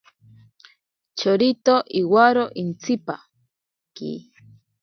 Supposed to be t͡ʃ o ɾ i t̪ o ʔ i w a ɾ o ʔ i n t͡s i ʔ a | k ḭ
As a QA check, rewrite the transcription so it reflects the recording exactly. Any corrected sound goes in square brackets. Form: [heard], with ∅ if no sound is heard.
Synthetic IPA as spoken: t͡ʃ o ɾ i t̪ o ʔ i w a ɾ o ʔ i n t͡s i [p] a | k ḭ